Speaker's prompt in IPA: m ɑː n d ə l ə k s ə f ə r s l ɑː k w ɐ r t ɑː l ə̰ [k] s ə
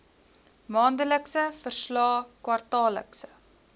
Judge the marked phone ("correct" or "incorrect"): correct